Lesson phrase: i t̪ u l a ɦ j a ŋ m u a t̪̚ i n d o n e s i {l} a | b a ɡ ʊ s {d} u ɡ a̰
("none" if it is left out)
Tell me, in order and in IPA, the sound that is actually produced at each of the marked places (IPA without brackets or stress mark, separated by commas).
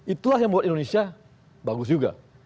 none, d͡ʒ